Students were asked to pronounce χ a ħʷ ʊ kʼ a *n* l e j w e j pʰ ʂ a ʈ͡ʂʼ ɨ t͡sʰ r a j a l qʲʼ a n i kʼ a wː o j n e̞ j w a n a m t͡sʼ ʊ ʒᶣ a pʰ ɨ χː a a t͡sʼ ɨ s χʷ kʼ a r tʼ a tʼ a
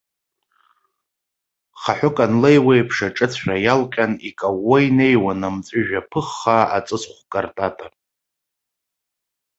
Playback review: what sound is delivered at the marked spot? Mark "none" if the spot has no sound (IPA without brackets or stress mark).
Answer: n